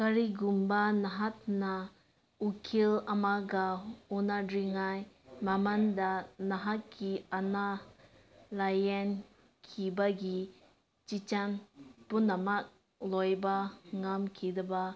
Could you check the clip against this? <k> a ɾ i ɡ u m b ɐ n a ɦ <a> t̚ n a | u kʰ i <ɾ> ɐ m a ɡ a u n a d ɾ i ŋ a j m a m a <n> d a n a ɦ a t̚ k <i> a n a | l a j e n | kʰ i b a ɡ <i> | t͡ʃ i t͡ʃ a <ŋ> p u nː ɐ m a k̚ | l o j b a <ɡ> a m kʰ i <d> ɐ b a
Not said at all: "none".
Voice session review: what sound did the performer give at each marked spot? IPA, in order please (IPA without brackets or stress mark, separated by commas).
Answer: k, a, l, n, i, i, n, ŋ, d